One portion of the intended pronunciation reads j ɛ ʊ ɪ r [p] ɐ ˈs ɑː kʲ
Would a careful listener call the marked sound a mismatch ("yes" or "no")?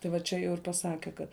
no